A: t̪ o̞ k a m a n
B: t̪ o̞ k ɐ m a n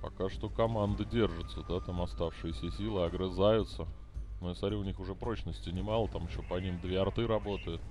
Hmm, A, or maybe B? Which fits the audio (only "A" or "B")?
B